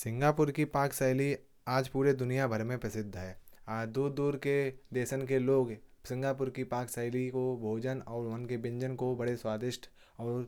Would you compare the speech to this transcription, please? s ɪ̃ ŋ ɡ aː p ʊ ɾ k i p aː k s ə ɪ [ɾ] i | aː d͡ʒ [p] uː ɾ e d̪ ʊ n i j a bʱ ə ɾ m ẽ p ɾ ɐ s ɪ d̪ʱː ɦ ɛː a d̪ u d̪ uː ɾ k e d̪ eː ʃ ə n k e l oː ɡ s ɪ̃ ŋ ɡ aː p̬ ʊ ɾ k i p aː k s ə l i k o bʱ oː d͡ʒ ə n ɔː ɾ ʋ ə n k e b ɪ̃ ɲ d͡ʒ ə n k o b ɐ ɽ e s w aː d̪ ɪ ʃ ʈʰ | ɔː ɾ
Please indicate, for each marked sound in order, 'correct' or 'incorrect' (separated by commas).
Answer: incorrect, correct